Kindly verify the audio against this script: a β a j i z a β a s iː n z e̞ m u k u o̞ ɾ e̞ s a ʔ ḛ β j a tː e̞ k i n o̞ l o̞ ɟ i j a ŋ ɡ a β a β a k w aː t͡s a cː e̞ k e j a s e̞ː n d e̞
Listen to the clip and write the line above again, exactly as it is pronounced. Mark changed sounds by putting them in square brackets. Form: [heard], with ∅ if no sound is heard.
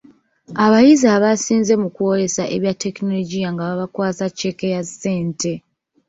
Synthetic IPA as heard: a β a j i z a β a s iː n z e̞ m u k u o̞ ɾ e̞ s a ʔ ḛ β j a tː e̞ k i n o̞ l o̞ ɟ i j a ŋ ɡ a β a β a k w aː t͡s a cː e̞ k e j a s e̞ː n [t] e̞